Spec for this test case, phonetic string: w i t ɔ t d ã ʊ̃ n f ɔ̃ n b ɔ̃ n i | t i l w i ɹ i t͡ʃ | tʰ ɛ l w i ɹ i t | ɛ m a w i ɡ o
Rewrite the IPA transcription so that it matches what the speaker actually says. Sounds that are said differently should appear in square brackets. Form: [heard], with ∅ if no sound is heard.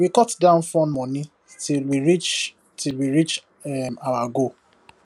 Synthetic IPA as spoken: w i [k] ɔ t d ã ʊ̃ n f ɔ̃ n [m] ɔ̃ n i | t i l w i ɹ i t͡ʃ | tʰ [i] l w i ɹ i [t͡ʃ] | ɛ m a w [a] ɡ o